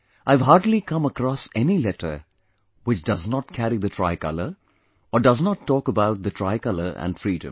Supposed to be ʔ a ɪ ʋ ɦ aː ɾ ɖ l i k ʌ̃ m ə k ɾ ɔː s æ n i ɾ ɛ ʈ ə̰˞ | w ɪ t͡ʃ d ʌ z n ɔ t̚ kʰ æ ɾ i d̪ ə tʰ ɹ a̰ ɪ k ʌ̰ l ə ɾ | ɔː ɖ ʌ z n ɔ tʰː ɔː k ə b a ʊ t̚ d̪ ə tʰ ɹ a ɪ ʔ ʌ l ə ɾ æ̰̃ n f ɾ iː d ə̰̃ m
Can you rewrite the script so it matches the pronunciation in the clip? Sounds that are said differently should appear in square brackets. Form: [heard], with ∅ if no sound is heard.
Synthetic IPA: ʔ a ɪ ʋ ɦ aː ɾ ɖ l i k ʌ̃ m ə k ɾ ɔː s [ɛ] n i [l] ɛ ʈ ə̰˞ | w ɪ t͡ʃ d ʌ z n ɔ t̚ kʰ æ ɾ i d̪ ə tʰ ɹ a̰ ɪ k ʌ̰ l ə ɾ | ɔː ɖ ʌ z n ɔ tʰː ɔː k ə b a ʊ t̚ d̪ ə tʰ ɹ a ɪ [k] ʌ l ə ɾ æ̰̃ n f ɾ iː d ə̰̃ m